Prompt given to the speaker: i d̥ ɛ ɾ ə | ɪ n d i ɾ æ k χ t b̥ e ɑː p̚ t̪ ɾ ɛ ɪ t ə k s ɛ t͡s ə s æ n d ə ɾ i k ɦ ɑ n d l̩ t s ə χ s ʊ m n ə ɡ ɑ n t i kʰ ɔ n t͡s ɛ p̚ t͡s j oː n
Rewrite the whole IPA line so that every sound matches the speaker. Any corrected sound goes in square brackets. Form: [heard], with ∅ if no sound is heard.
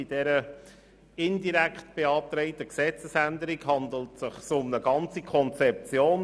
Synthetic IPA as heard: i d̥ ɛ ɾ ə | ɪ n d i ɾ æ k χ t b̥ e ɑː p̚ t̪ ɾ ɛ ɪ t ə k s ɛ t͡s ə s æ n d ə ɾ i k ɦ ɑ n d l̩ t s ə χ s ʊ m n ə ɡ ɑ n [t͡s] i kʰ ɔ n t͡s ɛ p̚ t͡s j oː n